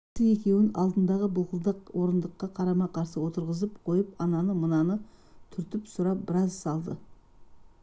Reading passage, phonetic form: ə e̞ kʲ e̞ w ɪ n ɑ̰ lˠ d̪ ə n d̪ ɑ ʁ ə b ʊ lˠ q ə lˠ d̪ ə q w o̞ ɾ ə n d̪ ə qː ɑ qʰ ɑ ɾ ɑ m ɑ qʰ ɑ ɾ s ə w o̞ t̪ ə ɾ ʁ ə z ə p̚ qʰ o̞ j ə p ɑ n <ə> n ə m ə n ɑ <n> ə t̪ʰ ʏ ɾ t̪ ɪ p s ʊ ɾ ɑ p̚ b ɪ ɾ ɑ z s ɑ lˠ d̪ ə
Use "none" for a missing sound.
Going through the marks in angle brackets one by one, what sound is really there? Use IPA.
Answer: ɑ, n

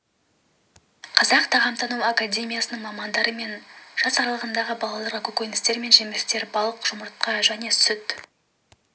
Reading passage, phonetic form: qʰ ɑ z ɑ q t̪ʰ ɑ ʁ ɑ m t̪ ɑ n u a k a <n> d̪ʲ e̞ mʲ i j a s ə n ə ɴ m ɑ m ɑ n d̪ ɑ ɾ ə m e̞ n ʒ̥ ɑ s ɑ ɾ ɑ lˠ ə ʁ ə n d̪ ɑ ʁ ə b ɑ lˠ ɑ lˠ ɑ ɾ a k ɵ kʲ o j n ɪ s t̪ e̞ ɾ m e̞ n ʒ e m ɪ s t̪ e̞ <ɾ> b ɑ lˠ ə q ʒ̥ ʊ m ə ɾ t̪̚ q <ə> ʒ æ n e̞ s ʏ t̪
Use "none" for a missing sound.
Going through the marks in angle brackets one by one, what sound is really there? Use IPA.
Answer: none, ɾ, ɑ

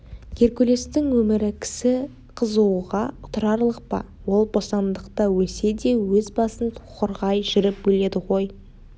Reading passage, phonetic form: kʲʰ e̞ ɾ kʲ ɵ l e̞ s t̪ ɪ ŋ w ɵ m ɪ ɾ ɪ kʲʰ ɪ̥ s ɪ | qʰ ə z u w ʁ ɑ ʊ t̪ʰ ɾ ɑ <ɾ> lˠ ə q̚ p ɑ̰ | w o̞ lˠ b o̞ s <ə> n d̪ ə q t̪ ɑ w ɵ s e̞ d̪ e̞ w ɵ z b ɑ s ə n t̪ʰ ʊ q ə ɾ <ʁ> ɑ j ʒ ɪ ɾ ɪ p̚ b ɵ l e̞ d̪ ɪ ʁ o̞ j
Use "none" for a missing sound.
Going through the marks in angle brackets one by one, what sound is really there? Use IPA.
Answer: ɾ, ɑ, ʁ

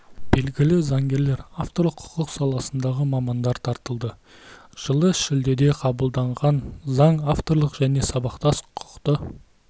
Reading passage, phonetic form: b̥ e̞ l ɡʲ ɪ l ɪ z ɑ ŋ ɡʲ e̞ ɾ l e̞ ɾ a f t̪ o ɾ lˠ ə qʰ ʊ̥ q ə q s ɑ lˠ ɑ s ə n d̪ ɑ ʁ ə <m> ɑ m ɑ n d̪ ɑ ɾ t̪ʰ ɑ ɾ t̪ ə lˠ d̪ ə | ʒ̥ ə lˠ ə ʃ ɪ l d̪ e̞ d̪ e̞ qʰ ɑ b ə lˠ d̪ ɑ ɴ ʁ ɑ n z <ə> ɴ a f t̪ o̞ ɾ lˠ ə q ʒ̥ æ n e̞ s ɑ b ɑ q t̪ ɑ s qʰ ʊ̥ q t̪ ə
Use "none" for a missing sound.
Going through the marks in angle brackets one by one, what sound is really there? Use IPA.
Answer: m, ɑ

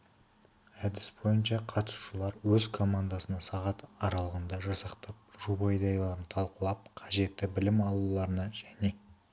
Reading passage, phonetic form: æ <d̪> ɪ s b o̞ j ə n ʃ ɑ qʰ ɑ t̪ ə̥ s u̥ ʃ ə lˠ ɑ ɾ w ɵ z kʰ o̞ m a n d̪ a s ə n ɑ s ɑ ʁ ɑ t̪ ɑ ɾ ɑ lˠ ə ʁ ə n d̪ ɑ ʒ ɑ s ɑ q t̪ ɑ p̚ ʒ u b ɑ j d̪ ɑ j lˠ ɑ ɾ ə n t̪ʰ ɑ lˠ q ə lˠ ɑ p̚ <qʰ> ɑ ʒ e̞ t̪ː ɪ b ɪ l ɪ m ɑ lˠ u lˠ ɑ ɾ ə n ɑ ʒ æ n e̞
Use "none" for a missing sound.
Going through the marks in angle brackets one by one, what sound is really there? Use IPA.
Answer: d̪, qʰ

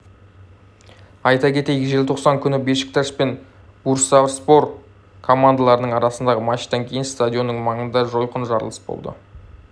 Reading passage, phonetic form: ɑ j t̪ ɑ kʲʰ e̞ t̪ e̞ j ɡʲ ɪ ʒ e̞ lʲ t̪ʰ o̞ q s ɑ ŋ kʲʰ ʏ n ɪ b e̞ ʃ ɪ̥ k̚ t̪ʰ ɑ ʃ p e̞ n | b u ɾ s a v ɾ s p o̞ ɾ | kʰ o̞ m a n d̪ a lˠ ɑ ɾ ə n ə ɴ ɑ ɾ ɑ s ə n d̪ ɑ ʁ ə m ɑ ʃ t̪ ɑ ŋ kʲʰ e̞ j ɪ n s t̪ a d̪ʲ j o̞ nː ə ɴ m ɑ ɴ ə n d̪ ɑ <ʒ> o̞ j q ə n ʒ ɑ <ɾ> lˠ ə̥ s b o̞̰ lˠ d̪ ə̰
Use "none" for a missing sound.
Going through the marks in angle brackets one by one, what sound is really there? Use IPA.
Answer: ʒ, ɾ

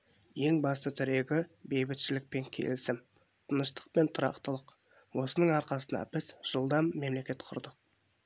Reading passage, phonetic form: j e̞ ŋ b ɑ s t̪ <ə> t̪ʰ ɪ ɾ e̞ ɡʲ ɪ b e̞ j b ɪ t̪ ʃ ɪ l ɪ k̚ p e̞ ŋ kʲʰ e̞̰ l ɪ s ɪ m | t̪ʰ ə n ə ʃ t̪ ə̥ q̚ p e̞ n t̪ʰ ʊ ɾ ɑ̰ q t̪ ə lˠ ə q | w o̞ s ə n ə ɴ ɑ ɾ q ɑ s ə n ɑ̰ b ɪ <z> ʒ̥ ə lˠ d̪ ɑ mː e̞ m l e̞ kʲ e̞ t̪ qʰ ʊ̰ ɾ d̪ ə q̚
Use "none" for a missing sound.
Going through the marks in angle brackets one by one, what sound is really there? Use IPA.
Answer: ə, z

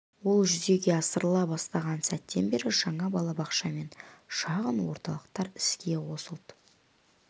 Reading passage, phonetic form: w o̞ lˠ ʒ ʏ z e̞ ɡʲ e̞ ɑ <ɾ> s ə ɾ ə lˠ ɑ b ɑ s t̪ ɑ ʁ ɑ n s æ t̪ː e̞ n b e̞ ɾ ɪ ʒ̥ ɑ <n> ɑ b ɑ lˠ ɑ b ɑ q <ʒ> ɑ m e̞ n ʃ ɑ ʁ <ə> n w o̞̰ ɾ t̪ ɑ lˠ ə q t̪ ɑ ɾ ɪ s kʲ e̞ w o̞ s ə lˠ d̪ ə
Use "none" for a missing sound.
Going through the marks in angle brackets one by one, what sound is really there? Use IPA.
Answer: none, ɴ, ʃ, ə

